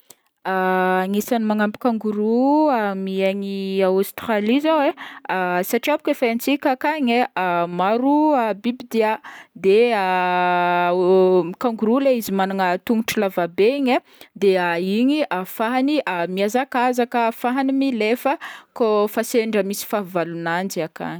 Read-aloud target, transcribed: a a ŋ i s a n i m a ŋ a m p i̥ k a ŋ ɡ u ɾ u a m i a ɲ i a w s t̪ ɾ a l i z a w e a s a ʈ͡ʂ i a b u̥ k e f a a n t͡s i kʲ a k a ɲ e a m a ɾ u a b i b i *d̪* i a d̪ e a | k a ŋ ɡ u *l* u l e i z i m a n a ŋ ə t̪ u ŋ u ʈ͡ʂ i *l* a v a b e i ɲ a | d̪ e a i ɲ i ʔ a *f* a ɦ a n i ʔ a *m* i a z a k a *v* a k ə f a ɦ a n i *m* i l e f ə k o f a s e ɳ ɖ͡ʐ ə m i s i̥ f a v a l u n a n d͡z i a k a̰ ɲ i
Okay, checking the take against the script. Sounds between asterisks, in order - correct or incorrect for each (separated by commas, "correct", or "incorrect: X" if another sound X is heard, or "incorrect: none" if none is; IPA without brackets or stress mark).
correct, incorrect: ɾ, correct, correct, correct, incorrect: z, correct